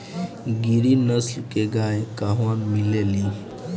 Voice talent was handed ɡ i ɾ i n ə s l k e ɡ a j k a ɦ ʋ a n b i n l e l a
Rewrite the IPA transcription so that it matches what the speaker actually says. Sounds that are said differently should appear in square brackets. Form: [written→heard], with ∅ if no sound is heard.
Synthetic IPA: ɡ i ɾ i n ə s l k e ɡ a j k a ɦ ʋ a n [b→m] i [n→∅] l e l [a→i]